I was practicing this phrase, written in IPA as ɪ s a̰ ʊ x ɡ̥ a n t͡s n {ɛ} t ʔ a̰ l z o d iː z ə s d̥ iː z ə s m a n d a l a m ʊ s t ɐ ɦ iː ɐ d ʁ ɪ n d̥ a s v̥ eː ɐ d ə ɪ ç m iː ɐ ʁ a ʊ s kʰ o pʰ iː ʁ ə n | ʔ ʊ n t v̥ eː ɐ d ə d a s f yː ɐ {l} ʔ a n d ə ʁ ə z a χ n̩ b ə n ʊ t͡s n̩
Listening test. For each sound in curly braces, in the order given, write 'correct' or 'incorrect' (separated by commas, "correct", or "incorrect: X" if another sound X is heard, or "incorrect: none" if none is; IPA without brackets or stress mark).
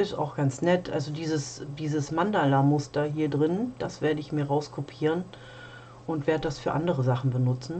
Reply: correct, incorrect: none